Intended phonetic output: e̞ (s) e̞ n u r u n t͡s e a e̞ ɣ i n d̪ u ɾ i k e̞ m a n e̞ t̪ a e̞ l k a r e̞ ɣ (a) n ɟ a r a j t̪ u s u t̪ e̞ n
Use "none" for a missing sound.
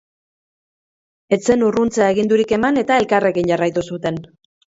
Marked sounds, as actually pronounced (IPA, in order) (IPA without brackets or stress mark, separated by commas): t͡s, i